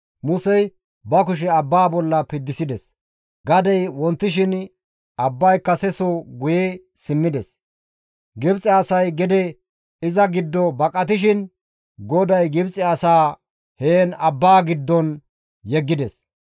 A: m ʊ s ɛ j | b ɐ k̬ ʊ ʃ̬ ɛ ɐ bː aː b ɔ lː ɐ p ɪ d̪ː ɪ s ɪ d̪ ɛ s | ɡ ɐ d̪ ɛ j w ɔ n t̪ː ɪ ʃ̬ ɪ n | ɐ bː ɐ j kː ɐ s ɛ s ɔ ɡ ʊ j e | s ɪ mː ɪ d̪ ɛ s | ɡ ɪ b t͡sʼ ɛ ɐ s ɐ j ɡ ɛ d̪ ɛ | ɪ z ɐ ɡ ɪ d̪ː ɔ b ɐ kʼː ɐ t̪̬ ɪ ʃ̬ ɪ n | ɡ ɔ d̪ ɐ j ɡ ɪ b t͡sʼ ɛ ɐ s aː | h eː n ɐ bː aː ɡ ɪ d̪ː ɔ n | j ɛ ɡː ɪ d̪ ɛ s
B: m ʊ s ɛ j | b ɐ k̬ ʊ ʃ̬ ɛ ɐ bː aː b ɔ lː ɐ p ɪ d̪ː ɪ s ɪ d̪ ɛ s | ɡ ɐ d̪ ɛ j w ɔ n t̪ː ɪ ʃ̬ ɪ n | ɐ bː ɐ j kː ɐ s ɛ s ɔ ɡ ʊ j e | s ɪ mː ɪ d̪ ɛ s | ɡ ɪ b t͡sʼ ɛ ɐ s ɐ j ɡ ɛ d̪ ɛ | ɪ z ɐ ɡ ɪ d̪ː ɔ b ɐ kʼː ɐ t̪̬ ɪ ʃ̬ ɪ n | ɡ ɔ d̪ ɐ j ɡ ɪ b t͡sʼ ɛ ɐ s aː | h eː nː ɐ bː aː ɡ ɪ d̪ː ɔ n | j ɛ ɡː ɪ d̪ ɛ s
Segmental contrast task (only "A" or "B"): A